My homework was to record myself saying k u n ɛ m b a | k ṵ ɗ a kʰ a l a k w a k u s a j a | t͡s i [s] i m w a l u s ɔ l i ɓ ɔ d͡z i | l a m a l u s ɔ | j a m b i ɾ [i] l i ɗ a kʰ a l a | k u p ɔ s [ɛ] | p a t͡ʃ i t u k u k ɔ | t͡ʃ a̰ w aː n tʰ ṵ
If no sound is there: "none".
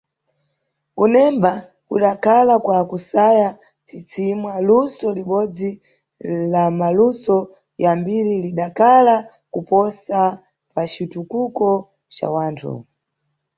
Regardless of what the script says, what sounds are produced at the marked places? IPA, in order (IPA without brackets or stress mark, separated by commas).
t͡s, i, a